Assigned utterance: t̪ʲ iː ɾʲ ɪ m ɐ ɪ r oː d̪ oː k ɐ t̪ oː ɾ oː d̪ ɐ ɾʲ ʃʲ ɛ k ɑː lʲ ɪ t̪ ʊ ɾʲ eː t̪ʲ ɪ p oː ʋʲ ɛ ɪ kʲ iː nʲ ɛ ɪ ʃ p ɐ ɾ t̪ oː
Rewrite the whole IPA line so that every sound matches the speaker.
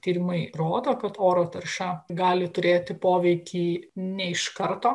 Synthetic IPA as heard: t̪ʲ iː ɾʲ ɪ m ɐ ɪ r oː d̪ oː k ɐ t̪ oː ɾ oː t̪ ɐ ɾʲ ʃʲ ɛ ɡ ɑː lʲ ɪ t̪ ʊ ɾʲ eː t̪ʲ ɪ p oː ʋʲ ɛ ɪ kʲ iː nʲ ɛ ɪ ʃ k ɐ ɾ t̪ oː